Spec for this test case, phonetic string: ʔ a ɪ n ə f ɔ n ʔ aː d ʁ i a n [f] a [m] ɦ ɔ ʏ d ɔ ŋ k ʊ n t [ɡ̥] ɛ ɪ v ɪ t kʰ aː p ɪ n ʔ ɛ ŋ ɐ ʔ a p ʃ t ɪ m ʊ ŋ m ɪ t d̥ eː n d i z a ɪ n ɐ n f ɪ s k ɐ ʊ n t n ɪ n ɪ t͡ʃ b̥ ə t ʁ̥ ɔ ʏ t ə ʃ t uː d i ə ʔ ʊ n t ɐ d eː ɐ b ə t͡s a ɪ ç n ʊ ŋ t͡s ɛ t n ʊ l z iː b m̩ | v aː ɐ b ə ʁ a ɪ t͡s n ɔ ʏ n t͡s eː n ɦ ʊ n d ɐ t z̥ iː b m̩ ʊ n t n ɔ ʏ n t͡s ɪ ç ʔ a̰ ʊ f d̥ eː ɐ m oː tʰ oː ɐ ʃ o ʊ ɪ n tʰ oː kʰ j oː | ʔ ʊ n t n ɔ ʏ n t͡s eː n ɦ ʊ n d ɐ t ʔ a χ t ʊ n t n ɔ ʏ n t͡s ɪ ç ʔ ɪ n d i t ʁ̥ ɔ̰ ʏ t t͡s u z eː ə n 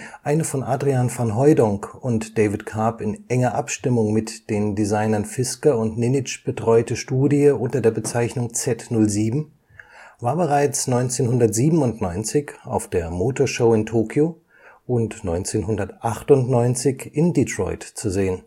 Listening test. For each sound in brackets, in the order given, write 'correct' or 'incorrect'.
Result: correct, incorrect, incorrect

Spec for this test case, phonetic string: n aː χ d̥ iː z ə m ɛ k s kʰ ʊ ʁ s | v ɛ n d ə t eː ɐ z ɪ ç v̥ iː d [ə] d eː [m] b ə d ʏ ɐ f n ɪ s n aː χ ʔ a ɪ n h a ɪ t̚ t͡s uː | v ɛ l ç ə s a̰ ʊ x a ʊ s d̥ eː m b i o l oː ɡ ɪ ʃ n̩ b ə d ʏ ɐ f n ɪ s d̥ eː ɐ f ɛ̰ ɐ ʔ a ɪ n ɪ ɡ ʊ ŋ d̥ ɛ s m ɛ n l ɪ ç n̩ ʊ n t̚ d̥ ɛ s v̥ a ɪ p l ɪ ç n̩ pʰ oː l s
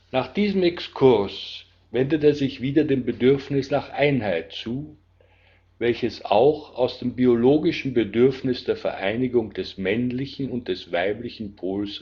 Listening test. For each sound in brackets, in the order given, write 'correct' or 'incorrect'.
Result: incorrect, correct

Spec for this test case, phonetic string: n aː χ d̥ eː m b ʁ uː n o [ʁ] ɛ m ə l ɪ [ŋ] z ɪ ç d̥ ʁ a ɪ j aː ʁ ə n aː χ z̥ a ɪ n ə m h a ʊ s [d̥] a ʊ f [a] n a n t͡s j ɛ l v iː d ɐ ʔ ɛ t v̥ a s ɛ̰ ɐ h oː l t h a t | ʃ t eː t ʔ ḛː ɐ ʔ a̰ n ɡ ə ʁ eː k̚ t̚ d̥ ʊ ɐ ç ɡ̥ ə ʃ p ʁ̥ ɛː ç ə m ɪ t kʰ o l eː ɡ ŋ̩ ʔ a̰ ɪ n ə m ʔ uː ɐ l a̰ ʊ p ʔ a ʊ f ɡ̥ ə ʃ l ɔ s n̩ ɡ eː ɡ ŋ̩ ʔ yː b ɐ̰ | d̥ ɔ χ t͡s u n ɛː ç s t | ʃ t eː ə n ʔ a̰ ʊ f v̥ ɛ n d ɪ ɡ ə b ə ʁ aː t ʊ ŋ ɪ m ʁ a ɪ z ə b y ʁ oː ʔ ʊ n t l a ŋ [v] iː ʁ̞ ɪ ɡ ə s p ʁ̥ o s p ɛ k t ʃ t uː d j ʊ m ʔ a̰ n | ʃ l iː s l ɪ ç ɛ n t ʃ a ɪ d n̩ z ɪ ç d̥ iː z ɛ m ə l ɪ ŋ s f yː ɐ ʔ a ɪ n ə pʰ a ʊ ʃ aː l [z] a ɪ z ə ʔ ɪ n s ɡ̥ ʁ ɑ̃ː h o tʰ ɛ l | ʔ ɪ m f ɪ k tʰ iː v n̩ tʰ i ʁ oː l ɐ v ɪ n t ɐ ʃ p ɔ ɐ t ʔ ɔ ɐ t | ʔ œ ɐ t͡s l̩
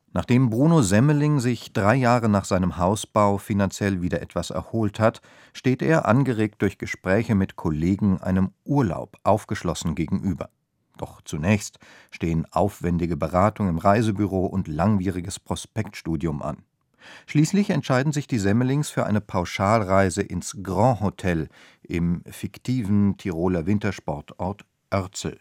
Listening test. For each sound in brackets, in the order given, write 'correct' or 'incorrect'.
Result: incorrect, correct, incorrect, incorrect, correct, incorrect

